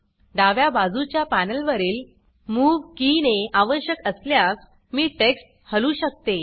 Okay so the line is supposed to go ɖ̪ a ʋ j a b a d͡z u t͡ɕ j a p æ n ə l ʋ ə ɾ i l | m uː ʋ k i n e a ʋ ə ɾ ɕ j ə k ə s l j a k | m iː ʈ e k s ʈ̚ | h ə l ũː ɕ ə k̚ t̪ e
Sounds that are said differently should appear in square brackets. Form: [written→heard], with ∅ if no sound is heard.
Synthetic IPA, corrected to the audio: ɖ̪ a ʋ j a b a d͡z u t͡ɕ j a p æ n ə l ʋ ə ɾ [i→iː] l | m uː ʋ k i n e a ʋ ə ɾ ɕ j ə k ə s l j a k | m iː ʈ e k s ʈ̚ | h ə l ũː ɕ ə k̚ t̪ e